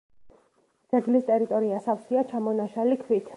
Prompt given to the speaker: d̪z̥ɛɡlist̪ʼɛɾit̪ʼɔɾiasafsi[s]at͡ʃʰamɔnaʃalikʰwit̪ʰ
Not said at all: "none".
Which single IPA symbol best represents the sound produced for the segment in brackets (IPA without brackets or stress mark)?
none